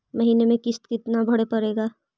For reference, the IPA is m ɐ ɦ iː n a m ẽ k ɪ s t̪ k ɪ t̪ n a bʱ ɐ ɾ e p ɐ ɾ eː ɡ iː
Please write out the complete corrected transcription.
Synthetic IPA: m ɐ ɦ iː n e m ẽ k ɪ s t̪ k ɪ t̪ n a bʱ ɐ ɽ e p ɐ ɾ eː ɡ aː